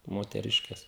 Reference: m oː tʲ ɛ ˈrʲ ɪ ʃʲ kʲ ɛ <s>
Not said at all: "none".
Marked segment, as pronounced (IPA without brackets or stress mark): s